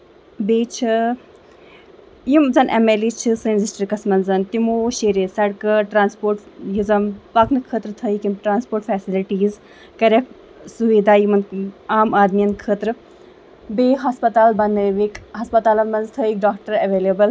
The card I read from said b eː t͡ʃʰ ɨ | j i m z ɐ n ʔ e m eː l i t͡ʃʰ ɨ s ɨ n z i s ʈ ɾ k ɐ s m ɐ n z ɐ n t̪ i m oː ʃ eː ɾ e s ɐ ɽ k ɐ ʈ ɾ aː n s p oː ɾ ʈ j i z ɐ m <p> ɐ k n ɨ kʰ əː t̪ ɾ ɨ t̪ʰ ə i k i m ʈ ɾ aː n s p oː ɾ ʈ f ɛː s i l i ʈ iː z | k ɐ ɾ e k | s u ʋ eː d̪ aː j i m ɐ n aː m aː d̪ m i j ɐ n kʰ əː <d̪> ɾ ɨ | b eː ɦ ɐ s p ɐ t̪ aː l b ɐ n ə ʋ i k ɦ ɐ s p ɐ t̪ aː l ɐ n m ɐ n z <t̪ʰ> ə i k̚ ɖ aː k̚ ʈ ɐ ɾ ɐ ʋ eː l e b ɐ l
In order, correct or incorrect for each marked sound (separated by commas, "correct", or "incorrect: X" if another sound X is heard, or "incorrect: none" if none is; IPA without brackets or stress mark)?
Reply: correct, incorrect: t̪, correct